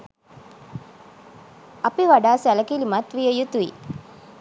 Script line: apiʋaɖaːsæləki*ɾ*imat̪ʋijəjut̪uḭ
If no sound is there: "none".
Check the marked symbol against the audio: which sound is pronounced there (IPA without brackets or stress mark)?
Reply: l